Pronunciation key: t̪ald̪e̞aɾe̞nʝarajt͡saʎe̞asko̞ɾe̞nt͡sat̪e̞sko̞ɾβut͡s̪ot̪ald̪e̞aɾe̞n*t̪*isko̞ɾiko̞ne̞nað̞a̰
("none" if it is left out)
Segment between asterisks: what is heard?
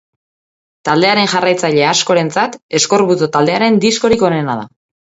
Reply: d̪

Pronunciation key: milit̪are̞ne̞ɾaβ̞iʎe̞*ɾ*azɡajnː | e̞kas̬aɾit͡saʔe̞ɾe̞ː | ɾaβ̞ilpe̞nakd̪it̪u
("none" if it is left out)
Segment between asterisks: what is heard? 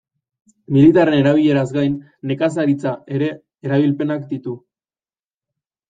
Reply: ɾ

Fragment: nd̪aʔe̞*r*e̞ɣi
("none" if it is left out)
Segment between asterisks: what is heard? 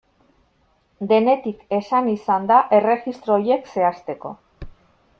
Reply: r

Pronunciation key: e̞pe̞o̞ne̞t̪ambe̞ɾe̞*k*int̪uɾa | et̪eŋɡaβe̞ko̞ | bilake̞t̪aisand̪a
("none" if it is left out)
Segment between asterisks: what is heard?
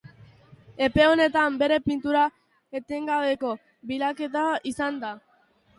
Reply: p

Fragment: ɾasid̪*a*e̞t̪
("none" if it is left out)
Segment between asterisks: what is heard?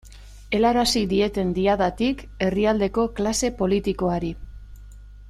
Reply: i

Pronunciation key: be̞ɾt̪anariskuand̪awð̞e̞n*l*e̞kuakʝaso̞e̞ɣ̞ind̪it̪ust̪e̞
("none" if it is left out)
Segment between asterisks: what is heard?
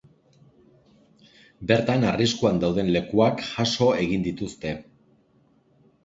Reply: l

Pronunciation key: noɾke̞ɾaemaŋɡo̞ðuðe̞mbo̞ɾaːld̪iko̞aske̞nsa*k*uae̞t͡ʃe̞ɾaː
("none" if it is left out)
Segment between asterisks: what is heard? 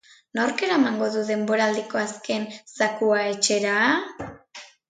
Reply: k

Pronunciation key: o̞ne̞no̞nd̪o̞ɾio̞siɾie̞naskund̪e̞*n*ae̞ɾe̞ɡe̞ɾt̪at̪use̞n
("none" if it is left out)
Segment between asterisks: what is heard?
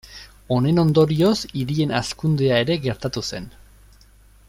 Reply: none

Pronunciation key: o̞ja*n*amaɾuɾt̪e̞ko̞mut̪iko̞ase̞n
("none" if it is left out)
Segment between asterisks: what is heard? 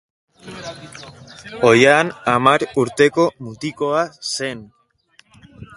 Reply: n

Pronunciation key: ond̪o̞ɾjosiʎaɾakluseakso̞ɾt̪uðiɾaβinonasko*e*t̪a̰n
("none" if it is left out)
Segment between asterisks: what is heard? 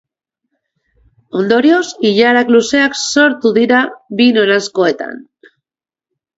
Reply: e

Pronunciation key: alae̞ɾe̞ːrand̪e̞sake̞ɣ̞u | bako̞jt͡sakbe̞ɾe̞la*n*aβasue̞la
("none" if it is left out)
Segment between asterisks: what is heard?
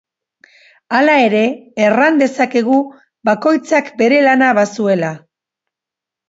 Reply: n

